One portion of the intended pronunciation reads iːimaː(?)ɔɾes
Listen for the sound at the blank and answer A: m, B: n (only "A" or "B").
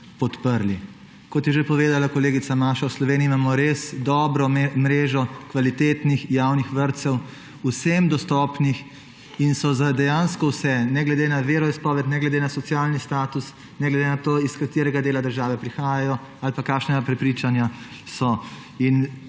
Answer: A